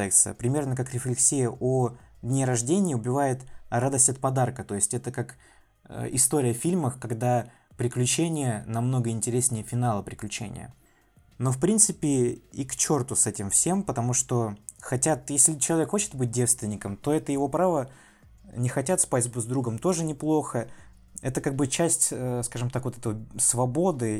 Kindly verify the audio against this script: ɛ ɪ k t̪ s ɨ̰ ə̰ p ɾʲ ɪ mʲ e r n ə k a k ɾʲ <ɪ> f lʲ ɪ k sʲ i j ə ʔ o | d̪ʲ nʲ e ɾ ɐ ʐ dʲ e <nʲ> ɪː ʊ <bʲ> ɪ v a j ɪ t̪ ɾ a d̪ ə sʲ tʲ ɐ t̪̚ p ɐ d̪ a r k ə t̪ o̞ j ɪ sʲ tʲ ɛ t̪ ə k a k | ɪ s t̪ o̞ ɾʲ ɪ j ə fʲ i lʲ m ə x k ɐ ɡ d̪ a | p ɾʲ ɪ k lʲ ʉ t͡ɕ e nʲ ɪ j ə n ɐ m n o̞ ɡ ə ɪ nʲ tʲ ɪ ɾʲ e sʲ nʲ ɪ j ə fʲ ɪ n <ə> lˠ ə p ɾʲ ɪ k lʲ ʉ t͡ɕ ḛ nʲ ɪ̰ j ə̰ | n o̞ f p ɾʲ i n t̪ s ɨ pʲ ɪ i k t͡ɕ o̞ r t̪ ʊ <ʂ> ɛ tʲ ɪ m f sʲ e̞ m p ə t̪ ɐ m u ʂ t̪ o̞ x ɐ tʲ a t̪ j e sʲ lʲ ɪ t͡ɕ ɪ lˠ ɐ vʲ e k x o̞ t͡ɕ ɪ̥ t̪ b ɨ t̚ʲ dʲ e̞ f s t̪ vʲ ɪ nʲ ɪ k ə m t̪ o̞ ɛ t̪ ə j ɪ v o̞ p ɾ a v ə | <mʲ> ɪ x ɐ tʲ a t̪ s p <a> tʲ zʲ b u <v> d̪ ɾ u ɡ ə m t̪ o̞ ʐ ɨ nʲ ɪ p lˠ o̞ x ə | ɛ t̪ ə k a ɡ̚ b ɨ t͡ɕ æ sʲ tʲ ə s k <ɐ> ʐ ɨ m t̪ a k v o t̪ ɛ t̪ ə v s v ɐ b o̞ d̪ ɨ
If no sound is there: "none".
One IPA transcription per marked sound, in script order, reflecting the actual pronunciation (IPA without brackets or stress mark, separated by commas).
ɪ, nʲ, bʲ, a, s, nʲ, a, z, a